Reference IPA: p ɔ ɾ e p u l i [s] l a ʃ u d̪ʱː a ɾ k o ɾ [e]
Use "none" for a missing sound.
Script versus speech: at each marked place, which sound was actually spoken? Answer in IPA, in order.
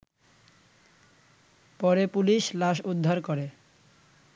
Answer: ʃ, e

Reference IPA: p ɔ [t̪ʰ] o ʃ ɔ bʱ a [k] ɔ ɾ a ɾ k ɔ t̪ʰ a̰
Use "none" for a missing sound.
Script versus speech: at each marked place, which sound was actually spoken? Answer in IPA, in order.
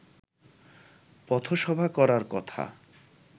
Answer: t̪ʰ, k

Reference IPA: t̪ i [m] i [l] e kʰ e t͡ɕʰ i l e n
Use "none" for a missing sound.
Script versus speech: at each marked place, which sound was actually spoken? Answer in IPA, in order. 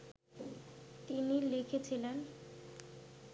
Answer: n, l

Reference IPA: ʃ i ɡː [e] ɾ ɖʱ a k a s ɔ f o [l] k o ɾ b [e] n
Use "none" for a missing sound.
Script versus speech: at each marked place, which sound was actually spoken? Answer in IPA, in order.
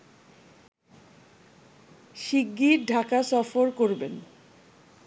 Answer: i, ɾ, e

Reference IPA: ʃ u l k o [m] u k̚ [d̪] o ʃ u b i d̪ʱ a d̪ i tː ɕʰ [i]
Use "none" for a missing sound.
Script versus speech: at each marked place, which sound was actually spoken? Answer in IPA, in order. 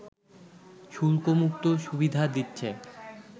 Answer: m, t̪, e

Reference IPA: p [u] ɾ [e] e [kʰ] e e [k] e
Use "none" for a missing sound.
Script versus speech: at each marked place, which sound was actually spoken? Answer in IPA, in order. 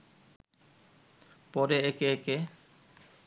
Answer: ɔ, e, k, k

